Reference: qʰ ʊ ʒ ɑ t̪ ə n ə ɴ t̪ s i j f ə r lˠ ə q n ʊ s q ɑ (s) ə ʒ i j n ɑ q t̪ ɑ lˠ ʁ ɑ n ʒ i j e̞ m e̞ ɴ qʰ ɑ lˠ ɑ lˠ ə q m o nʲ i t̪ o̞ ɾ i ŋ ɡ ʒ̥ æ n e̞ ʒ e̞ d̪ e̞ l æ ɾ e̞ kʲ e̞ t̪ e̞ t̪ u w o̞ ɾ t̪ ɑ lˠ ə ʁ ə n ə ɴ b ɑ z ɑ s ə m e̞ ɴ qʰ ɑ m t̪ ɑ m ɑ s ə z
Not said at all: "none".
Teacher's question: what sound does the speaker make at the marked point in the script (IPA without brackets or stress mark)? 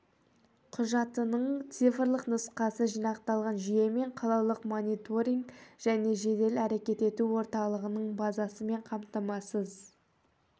s